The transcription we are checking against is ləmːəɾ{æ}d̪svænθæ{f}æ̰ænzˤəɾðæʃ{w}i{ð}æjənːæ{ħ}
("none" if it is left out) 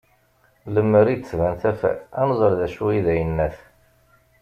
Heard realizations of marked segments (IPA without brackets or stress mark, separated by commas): i, f, u, ð, θ